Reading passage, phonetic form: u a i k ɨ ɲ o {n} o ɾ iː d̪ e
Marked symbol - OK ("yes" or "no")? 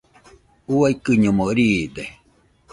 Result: no